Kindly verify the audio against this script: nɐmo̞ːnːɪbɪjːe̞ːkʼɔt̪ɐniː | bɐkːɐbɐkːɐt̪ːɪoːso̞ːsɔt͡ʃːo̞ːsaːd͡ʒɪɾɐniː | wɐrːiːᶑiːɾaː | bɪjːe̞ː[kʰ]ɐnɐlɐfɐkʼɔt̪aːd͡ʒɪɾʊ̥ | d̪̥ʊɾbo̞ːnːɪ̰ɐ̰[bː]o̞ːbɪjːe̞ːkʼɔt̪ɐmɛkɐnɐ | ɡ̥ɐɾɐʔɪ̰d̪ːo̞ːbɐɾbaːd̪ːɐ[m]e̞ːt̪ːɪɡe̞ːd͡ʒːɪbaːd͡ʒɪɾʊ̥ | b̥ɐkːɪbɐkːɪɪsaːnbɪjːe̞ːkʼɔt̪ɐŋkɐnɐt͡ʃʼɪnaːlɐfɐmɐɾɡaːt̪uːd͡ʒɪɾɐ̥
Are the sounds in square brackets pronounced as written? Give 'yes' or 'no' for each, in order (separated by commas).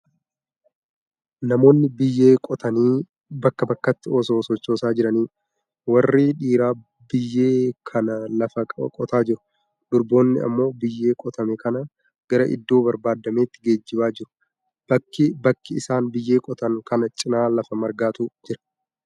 yes, no, yes